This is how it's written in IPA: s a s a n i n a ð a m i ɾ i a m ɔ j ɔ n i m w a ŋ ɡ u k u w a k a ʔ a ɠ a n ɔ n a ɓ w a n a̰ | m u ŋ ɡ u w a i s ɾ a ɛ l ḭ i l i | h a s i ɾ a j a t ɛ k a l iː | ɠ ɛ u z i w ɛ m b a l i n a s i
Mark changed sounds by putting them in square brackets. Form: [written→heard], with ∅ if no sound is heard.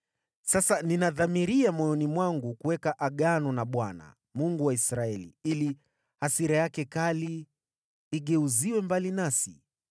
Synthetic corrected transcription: s a s a n i n a ð a m i ɾ i a m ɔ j ɔ n i m w a ŋ ɡ u k u w [a→ɛ] k a ʔ a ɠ a n ɔ n a ɓ w a n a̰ | m u ŋ ɡ u w a i s ɾ a ɛ l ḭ i l i | h a s i ɾ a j a [t→k] ɛ k a l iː | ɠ ɛ u z i w ɛ m b a l i n a s i

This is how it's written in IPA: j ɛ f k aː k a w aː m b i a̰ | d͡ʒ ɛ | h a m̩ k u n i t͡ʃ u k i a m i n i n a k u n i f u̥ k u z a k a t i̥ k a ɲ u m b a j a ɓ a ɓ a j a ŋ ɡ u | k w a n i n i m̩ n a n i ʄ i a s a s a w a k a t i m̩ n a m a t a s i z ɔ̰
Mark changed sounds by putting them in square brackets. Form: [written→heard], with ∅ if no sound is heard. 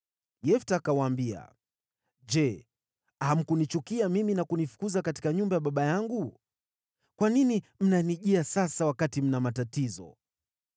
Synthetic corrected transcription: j ɛ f [k→t] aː k a w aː m b i a̰ | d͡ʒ ɛ | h a m̩ k u n i t͡ʃ u k i a m i [n→m] i n a k u n i f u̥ k u z a k a t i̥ k a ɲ u m b a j a ɓ a ɓ a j a ŋ ɡ u | k w a n i n i m̩ n a n i ʄ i a s a s a w a k a t i m̩ n a m a t a [s→t] i z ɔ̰

